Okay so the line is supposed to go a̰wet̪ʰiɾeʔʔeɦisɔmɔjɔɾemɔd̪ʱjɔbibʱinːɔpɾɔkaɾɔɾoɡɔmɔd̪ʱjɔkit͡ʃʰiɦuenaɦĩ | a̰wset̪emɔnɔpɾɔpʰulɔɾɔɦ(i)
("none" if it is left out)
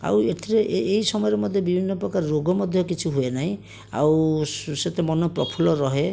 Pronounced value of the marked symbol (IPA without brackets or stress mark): e